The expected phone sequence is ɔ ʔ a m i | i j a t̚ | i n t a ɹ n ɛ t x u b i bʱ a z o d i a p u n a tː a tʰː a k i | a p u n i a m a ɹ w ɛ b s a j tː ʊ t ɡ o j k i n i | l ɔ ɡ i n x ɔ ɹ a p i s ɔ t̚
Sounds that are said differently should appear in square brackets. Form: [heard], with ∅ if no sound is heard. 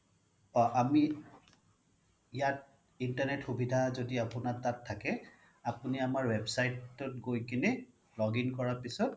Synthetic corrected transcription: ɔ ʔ a m i | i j a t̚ | i n t a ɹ n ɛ t x u b i [dʱ] a z o d i a p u n a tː a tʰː a k [ɛ] | a p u n i a m a ɹ w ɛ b s a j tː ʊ t ɡ o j k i n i | l ɔ ɡ i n [k] ɔ ɹ a p i s ɔ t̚